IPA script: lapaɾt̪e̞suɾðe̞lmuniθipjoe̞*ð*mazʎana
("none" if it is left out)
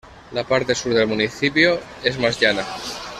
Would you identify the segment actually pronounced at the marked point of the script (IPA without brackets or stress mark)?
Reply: z